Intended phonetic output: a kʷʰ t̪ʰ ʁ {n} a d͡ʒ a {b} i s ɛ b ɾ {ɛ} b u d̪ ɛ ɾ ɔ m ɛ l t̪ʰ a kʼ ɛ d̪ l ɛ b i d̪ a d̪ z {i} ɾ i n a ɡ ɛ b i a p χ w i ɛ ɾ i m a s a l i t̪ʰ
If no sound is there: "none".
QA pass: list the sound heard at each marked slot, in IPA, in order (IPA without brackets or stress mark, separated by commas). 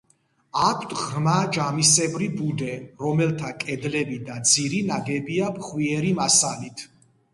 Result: m, m, i, i